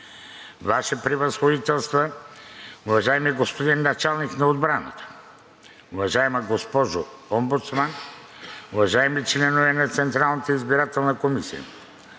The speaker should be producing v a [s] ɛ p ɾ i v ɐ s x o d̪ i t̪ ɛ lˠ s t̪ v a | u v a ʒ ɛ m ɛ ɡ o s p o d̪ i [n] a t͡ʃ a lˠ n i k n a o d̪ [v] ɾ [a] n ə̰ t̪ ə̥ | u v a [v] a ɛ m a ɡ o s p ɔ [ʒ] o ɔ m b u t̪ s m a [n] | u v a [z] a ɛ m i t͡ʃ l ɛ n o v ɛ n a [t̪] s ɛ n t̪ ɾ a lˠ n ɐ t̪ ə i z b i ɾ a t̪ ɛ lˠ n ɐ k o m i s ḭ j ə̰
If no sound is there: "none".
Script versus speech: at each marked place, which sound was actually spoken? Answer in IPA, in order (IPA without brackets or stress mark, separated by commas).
ʃ, nː, b, a, ʒ, ʒ, n, ʒ, t̪